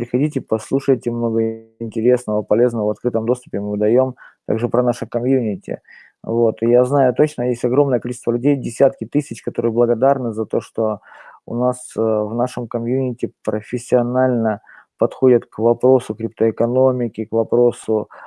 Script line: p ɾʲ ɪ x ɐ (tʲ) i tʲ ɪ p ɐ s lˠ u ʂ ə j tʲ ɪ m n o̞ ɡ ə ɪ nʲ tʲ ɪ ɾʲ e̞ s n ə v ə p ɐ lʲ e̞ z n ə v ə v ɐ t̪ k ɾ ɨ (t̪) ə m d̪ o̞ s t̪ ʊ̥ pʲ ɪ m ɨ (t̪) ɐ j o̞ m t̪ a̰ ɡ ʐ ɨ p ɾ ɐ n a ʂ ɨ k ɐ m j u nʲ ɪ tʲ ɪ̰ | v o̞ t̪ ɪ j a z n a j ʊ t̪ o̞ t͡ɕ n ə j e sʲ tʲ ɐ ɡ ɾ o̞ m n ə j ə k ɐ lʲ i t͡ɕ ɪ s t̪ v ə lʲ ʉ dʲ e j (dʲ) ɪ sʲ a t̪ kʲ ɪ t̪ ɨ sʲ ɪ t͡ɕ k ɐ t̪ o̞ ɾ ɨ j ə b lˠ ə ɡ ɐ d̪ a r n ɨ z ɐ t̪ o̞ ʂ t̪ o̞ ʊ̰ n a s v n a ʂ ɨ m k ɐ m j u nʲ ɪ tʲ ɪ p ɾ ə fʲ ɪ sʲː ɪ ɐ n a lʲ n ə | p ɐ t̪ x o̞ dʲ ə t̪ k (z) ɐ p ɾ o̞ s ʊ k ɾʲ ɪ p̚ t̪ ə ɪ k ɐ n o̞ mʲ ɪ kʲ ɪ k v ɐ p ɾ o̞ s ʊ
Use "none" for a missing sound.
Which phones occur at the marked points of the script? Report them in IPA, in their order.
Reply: dʲ, t̪, d̪, dʲ, v

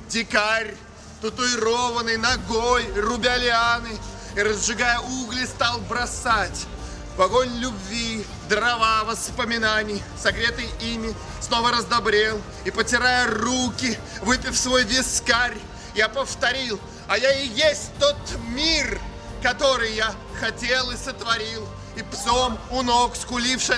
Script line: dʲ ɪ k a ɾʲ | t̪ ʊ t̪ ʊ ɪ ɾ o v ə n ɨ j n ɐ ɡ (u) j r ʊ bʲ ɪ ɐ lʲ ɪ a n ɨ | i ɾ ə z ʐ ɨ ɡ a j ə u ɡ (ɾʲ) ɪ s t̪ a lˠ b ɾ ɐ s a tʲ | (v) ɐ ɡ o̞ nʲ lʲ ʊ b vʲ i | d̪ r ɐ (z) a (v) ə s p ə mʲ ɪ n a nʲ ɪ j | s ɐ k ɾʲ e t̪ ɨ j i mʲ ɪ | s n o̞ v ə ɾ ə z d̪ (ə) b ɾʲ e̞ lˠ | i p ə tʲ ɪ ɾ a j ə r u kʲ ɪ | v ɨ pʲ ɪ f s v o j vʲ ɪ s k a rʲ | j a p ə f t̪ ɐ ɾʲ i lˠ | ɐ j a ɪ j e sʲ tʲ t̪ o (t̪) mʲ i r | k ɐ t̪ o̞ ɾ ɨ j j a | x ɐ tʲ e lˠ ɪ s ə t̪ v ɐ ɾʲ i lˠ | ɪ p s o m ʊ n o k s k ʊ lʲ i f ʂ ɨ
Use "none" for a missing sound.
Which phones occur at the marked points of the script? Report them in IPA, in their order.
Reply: o, lʲ, v, v, v, ɐ, t̪

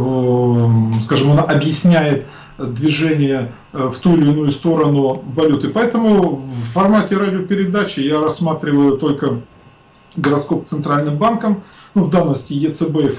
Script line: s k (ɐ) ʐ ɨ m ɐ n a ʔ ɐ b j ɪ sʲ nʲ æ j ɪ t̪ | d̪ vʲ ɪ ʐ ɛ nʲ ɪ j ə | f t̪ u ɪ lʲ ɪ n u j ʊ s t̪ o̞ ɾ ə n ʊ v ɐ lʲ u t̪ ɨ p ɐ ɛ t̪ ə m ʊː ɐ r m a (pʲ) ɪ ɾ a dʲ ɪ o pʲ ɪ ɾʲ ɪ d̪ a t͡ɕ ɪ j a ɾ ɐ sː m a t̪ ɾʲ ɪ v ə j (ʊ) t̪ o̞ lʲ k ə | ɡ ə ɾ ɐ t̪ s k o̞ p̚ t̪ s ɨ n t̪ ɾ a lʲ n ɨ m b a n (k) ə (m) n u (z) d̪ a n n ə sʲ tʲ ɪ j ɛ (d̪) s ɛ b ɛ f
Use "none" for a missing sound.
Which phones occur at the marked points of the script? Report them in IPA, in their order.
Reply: a, tʲ, ʊ, k, m, v, t̪

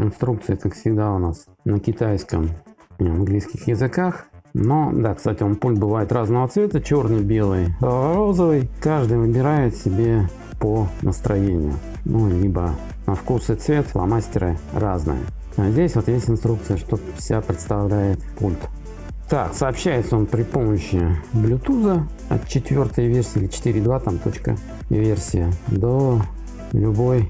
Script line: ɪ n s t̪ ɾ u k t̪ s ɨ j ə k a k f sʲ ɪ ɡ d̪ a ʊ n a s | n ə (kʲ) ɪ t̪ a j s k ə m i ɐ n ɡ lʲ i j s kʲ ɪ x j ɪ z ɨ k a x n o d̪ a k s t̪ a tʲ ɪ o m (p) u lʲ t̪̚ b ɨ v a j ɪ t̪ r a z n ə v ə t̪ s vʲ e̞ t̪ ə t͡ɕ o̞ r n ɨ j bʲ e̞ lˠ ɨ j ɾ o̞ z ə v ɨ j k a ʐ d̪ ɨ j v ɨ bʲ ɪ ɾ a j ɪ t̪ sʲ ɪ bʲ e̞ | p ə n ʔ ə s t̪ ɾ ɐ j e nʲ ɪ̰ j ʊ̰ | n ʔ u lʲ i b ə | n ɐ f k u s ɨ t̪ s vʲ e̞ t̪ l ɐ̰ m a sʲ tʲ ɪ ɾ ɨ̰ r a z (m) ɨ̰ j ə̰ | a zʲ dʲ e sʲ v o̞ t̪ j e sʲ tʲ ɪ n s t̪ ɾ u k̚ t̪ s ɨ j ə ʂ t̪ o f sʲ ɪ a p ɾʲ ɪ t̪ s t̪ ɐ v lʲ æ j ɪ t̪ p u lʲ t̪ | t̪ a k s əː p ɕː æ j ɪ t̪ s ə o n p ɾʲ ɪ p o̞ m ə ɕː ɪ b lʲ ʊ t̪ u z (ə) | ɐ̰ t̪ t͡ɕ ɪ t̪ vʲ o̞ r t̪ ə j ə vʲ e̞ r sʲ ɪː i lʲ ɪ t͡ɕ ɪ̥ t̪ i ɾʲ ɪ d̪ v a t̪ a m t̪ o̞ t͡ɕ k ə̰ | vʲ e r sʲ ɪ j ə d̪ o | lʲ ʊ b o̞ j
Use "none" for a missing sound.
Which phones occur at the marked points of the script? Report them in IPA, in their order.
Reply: kʲ, p, n, ə

